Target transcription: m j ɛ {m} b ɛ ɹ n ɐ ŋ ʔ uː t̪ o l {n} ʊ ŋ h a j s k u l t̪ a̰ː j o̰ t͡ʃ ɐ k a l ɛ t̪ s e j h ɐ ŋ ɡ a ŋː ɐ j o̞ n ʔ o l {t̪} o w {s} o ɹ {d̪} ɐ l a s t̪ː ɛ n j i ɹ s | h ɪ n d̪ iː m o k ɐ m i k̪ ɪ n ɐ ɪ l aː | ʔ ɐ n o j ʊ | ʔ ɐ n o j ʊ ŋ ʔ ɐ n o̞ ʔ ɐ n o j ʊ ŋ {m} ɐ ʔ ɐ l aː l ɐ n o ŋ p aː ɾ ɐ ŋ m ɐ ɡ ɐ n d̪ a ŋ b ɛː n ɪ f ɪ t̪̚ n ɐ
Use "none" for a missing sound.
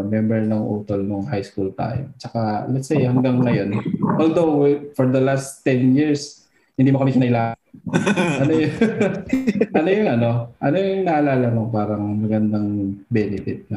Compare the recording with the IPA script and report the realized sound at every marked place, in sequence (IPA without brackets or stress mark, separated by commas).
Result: m, n, d̪, f, d̪, n